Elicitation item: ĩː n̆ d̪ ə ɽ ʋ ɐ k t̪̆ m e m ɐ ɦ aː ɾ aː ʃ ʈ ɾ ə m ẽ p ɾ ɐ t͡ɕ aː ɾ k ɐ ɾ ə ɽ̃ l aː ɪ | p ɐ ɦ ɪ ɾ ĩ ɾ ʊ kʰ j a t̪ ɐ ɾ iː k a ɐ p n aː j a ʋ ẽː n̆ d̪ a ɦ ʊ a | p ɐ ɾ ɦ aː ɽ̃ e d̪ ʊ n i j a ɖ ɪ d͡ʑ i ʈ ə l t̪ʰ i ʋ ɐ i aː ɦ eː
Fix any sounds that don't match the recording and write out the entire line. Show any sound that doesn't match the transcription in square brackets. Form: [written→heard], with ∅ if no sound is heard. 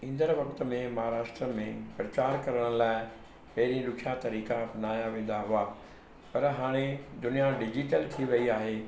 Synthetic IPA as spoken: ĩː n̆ d̪ ə [ɽ→ɾ] ʋ ɐ k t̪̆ m [e→ẽ] m ɐ ɦ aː ɾ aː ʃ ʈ ɾ ə m ẽ p ɾ ɐ t͡ɕ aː ɾ k ɐ ɾ ə ɽ̃ l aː ɪ | p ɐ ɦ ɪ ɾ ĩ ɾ ʊ kʰ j a t̪ ɐ ɾ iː k a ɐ p n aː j a ʋ ẽː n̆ d̪ a ɦ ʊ a | p ɐ ɾ ɦ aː ɽ̃ e d̪ ʊ n i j a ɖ ɪ d͡ʑ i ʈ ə l t̪ʰ i ʋ ɐ i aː ɦ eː